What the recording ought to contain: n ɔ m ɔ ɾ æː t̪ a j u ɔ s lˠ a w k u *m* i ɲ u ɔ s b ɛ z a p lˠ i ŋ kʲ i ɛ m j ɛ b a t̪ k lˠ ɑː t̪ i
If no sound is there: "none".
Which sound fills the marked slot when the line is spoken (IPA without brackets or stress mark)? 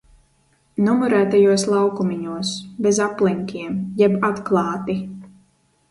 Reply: m